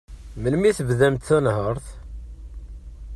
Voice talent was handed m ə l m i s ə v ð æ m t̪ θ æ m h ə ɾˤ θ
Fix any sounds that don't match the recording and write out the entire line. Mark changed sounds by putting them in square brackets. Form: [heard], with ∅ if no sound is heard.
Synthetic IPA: m ə l m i [θ] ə v ð æ m t̪ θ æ [n] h ə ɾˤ θ